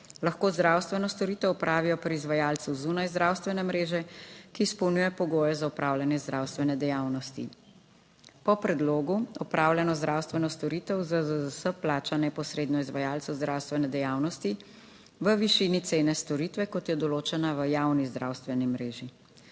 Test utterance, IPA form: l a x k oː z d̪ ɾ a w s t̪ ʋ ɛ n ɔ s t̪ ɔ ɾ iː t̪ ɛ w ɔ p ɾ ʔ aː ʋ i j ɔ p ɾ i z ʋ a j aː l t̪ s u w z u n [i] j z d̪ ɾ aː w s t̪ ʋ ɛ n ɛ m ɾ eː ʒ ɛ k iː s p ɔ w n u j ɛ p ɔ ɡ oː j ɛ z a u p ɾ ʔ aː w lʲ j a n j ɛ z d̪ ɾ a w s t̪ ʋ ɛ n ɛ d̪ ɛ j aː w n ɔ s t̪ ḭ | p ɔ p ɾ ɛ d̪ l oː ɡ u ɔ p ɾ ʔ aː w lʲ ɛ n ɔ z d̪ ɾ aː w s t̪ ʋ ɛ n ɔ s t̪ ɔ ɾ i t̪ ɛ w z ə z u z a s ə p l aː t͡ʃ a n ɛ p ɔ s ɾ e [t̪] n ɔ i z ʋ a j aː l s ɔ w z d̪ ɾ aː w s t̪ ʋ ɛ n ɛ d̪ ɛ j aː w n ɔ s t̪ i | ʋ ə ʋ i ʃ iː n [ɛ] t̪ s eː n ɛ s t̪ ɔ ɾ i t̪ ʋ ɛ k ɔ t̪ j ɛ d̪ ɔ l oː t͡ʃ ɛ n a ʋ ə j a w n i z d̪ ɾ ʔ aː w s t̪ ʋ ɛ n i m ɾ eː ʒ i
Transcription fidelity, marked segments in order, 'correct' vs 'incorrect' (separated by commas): incorrect, incorrect, incorrect